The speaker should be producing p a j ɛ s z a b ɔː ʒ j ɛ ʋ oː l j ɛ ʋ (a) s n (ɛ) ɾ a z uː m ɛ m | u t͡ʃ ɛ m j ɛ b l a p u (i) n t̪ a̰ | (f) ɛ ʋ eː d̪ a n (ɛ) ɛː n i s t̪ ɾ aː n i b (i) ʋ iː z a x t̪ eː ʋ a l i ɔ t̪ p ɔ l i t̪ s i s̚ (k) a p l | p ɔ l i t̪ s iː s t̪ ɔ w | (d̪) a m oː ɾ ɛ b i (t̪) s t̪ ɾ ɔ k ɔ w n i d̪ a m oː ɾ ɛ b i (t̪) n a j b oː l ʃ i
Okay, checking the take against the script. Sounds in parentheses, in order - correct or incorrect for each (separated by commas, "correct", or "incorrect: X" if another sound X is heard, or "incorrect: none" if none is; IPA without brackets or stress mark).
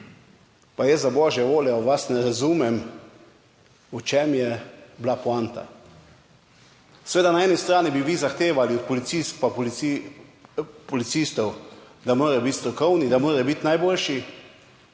correct, correct, incorrect: a, incorrect: s, incorrect: a, correct, incorrect: p, correct, correct, correct